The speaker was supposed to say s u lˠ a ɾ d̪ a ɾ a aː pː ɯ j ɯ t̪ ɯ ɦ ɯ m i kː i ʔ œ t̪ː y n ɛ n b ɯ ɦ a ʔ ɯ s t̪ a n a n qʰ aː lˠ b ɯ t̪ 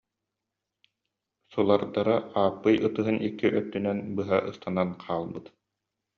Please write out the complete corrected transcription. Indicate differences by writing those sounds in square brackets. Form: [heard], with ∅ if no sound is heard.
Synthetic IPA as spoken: s u lˠ a ɾ d̪ a ɾ a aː pː ɯ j ɯ t̪ ɯ ɦ ɯ [n] i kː i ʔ œ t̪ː y n ɛ n b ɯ ɦ a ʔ ɯ s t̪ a n a n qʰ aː lˠ b ɯ t̪